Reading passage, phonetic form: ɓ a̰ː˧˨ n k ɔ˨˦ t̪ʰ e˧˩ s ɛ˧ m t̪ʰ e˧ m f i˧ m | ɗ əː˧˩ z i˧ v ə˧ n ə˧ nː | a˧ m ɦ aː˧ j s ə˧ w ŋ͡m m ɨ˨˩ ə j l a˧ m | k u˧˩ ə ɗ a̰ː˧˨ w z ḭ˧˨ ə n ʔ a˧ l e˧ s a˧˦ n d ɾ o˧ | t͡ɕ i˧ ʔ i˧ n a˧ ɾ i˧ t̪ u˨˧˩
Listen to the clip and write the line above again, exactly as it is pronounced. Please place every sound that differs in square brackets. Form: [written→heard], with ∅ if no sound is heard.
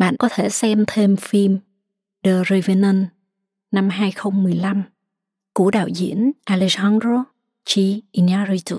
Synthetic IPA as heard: ɓ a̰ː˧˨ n k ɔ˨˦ t̪ʰ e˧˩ s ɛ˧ m t̪ʰ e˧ m f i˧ m | ɗ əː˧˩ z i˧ v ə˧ n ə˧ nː | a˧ m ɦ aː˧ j [s→x] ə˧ w ŋ͡m m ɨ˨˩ ə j l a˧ m | k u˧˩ ə ɗ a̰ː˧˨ w z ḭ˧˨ ə n ʔ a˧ l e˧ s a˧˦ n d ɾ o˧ | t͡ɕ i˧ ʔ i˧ n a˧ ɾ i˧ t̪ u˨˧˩